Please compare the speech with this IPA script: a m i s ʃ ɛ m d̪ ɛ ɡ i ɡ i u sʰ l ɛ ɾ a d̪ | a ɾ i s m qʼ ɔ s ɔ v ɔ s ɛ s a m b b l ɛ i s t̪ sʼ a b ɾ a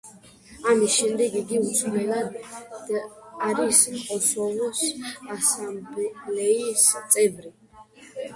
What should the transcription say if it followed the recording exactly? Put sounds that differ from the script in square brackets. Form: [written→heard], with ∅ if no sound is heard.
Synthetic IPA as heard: a m i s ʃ ɛ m d̪ ɛ ɡ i ɡ i u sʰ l ɛ [ɾ→l] a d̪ | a ɾ i s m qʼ ɔ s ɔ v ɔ s [ɛ→a] s a m b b l ɛ i s t̪ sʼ [a→ɛ] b ɾ [a→i]